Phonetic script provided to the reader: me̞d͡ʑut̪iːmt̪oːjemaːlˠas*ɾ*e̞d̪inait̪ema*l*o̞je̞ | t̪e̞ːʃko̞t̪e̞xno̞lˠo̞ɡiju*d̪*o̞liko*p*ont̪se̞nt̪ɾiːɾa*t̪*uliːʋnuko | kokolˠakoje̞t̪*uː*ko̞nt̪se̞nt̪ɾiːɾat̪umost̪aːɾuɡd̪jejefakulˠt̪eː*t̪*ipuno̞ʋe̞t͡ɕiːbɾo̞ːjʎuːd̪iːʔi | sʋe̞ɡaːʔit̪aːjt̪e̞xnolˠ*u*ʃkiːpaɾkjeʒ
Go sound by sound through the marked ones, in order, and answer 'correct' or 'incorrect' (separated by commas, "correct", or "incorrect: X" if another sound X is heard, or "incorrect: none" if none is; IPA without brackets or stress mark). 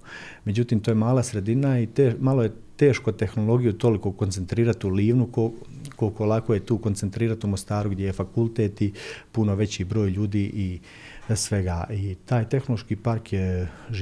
correct, correct, incorrect: t̪, incorrect: k, correct, correct, correct, incorrect: o